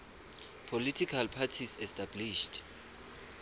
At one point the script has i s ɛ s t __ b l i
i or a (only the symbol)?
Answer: a